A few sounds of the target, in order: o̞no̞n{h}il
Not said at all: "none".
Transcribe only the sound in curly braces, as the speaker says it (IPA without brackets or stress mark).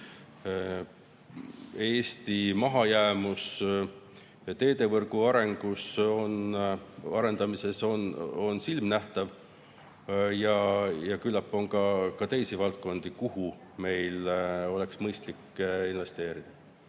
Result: s